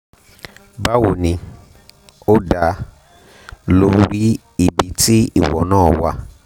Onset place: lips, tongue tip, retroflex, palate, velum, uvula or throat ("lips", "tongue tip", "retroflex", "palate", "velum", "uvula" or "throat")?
lips